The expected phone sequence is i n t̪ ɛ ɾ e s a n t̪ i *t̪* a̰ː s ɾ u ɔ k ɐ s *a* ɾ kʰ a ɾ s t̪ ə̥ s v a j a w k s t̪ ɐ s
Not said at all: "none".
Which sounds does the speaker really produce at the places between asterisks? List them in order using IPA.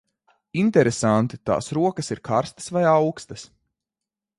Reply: t̪, i

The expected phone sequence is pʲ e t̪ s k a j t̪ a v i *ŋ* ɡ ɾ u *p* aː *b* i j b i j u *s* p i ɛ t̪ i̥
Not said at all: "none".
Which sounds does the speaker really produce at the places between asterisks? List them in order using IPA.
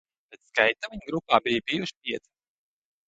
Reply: ɲ, p, b, ʃ

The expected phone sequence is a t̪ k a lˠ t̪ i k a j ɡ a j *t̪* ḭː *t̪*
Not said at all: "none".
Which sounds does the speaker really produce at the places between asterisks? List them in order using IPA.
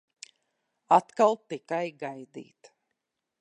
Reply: d̪, t̪

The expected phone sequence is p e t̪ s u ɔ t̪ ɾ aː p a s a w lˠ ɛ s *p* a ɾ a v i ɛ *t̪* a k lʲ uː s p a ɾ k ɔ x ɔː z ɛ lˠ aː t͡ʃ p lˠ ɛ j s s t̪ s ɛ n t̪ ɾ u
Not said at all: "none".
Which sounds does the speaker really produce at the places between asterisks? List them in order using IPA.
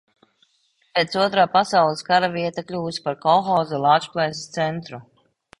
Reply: k, t̪

